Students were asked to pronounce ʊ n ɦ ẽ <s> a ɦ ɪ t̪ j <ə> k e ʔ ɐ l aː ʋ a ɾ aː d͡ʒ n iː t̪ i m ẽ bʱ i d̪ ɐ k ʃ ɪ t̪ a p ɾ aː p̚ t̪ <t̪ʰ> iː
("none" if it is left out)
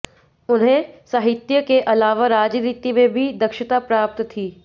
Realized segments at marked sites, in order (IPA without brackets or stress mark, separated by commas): s, ə, t̪ʰ